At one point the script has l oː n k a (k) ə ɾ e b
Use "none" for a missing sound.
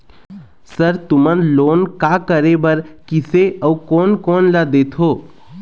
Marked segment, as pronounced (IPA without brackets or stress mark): k